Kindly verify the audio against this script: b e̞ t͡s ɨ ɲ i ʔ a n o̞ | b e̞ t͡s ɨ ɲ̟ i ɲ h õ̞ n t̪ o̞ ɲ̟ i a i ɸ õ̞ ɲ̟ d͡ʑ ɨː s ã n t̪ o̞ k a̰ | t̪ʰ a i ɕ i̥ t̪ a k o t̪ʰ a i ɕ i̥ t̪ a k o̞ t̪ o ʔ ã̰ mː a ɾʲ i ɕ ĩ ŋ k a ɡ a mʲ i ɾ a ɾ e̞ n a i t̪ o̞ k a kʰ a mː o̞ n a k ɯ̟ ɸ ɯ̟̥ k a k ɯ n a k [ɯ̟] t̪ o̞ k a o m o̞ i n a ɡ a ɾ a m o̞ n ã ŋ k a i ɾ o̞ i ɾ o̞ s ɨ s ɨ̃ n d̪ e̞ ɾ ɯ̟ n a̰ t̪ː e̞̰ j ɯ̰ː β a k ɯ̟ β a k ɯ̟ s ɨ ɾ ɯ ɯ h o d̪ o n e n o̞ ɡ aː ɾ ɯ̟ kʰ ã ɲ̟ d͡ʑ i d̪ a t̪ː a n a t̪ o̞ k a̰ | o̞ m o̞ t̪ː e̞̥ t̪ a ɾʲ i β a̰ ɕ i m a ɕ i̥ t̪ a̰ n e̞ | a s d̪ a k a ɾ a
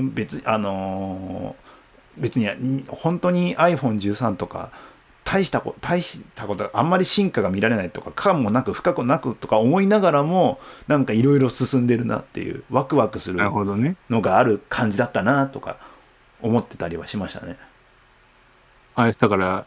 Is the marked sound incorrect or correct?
correct